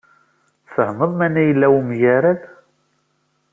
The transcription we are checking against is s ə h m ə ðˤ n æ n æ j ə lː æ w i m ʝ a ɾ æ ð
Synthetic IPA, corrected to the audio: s ə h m ə ðˤ m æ n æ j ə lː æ w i m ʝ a ɾ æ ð